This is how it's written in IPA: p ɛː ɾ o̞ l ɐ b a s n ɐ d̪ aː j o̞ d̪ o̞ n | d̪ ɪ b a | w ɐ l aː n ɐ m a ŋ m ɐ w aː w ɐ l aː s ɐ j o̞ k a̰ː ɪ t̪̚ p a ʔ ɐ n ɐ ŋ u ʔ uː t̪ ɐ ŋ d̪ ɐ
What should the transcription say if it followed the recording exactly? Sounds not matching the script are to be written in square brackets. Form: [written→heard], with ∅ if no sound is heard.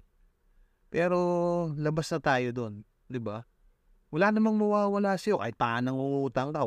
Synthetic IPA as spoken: p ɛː ɾ o̞ l ɐ b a s n ɐ [d̪→t̪] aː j o̞ d̪ o̞ n | d̪ ɪ b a | w ɐ l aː n ɐ m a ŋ m ɐ w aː w ɐ l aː s ɐ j o̞ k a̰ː ɪ t̪̚ p a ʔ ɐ n ɐ ŋ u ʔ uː t̪ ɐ ŋ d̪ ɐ